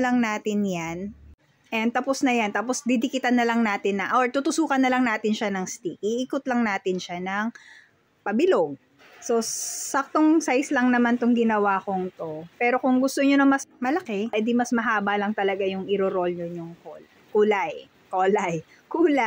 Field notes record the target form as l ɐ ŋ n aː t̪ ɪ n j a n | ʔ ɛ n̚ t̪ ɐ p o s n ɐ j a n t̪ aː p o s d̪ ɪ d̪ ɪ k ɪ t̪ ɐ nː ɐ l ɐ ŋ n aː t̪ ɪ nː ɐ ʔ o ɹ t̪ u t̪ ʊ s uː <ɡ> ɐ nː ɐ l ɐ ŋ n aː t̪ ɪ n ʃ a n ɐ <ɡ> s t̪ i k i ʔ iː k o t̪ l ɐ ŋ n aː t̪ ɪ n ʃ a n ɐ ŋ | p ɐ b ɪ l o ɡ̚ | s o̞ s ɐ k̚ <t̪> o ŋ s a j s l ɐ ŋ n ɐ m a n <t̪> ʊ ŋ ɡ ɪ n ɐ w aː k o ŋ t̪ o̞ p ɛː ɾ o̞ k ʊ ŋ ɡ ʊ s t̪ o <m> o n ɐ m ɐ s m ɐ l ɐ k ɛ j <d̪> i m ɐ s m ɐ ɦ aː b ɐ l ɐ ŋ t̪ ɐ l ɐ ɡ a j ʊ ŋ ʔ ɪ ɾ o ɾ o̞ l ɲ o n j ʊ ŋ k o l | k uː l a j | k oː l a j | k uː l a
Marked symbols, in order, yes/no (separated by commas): no, no, yes, yes, no, yes